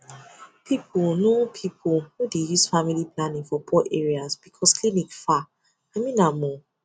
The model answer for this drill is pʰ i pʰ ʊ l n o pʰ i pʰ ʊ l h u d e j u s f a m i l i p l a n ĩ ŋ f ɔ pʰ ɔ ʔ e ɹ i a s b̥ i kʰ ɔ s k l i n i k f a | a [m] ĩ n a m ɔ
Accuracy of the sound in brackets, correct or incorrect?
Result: correct